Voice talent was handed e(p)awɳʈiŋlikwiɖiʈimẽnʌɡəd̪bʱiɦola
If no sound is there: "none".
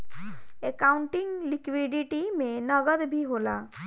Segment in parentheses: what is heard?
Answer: k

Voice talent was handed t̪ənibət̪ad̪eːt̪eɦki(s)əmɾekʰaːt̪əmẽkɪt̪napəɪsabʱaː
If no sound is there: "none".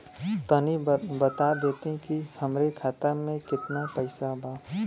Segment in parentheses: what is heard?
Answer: h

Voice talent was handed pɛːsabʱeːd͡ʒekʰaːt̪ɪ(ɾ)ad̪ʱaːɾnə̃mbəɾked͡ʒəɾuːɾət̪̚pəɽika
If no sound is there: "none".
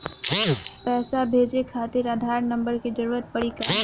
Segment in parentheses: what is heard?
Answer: ɾ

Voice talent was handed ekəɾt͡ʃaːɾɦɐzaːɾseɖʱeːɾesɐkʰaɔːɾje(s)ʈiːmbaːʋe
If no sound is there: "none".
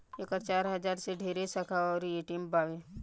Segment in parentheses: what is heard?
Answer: none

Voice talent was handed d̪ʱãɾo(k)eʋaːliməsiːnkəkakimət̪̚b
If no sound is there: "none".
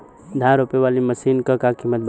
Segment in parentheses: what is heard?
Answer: p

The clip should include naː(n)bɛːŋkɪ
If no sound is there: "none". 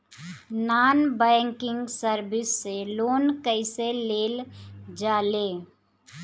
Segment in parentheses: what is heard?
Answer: n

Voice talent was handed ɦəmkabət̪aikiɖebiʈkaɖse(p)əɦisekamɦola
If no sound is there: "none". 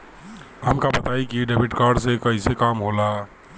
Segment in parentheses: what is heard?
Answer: k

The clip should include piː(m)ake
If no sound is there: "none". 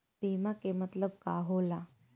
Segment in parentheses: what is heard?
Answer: m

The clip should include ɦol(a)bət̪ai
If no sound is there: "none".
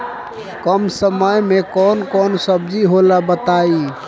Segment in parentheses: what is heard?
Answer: a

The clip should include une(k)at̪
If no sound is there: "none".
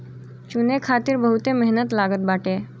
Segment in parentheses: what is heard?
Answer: kʰ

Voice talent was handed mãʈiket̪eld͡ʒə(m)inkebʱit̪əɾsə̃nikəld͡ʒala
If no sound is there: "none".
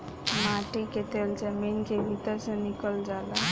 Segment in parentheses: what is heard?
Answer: m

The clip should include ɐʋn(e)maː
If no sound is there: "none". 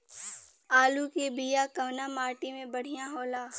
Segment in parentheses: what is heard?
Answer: a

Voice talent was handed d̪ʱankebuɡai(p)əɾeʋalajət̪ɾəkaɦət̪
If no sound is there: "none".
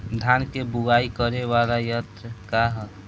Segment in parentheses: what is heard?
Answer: k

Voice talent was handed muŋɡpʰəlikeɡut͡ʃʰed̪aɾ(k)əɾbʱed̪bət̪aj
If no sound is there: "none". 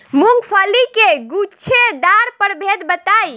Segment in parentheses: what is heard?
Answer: p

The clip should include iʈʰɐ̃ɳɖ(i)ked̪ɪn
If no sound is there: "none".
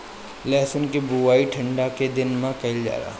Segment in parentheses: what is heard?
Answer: a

